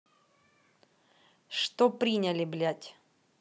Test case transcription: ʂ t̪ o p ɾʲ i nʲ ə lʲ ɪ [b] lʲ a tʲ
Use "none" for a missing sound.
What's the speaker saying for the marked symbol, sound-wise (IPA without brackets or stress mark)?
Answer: b